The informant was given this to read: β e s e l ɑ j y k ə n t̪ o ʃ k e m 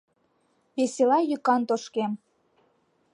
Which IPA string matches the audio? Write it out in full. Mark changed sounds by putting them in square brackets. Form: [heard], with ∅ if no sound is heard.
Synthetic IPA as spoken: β e s e l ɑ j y k [ɑ] n t̪ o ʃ k e m